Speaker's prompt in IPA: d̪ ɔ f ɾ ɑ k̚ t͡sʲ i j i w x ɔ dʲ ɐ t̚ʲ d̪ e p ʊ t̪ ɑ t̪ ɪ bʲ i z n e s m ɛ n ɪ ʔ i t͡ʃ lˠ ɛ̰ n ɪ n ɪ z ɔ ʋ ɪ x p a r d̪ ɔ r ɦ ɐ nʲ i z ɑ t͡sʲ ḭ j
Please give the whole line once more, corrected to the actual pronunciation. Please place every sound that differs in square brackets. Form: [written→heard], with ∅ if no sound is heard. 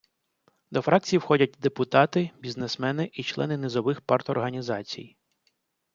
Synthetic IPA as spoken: d̪ ɔ f ɾ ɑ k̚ t͡sʲ i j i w x ɔ dʲ ɐ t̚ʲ d̪ e p ʊ t̪ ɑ t̪ ɪ bʲ i z n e s m ɛ n ɪ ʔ i t͡ʃ lˠ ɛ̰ n ɪ n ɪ z ɔ ʋ ɪ x p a r [d̪→t̪] ɔ r ɦ ɐ nʲ i z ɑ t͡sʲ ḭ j